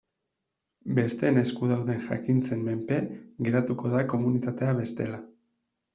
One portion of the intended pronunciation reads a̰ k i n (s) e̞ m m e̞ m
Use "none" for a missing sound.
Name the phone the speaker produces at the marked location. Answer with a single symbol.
t͡s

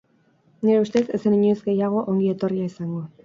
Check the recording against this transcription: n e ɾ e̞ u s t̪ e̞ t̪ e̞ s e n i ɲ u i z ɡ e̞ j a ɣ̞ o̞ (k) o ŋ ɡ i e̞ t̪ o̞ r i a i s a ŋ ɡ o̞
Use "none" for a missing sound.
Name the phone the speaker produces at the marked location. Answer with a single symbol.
ʔ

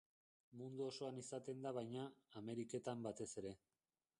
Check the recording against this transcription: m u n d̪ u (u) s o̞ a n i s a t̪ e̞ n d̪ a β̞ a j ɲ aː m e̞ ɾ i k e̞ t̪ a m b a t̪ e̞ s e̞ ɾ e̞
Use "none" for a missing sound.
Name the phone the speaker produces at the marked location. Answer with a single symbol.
o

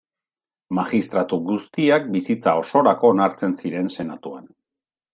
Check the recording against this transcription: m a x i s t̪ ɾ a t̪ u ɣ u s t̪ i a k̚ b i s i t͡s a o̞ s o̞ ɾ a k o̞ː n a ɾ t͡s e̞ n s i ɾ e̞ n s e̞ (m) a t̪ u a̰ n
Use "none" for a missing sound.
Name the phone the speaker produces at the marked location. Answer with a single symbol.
n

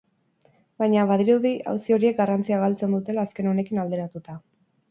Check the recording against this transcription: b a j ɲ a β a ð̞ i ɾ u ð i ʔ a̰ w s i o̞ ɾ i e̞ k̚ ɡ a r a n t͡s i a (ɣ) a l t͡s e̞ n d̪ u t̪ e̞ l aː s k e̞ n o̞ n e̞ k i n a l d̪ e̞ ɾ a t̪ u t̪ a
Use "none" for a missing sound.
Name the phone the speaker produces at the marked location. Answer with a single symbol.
ɣ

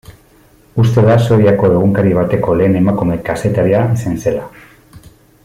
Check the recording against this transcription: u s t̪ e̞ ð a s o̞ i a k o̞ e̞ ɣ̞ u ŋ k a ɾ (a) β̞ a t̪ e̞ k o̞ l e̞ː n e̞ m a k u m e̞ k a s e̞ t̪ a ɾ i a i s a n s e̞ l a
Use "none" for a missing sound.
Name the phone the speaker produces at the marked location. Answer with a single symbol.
i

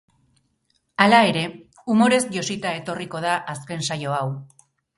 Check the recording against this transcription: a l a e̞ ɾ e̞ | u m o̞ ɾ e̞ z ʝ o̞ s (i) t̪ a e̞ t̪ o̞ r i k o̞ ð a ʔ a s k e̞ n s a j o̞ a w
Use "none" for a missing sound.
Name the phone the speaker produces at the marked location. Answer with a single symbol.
i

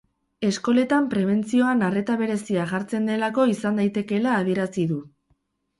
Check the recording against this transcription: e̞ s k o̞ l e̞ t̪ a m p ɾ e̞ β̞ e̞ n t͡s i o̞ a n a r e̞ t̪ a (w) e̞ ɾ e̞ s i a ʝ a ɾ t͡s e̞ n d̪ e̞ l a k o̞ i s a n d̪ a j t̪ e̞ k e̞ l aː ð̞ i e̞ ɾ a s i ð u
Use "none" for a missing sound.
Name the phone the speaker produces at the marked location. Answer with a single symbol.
β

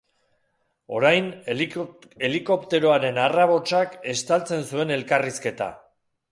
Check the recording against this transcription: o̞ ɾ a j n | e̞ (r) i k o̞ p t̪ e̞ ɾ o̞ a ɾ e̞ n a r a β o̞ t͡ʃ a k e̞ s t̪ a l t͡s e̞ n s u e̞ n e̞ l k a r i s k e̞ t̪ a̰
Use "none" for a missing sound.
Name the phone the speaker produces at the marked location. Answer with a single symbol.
l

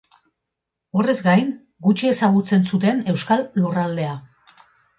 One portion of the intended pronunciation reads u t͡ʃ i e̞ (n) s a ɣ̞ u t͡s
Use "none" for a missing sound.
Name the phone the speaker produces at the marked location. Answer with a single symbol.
none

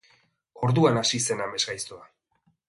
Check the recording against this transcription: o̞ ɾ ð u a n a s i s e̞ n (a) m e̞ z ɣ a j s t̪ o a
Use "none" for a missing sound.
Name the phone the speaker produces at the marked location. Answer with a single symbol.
a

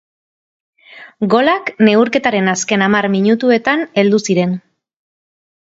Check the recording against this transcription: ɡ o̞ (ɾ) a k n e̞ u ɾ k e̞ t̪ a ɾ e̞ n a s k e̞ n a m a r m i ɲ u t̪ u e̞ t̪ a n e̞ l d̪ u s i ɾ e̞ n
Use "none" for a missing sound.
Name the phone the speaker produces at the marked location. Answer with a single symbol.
l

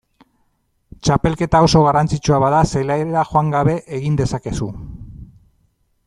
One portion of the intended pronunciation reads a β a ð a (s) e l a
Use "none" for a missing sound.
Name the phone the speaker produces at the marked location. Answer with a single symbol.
s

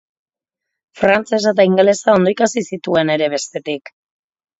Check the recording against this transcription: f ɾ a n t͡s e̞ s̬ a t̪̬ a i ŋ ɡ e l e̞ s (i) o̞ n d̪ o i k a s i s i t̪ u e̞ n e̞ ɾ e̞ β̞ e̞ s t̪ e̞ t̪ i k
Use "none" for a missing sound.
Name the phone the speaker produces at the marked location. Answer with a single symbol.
a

